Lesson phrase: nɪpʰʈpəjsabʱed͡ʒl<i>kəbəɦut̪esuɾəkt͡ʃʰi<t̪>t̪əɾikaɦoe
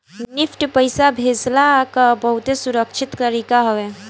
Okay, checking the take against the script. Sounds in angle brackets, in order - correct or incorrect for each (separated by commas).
incorrect, correct